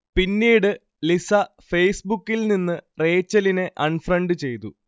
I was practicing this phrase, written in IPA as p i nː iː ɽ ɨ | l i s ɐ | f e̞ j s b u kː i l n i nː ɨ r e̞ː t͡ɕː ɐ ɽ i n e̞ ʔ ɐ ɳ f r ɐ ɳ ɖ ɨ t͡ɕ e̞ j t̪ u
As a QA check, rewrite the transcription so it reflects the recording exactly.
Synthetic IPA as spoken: p i nː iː ɽ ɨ | l i s ɐ | f e̞ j s b u kː i l n i nː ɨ r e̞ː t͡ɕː ɐ l i n e̞ ʔ ɐ ɳ f r ɐ ɳ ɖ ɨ t͡ɕ e̞ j t̪ u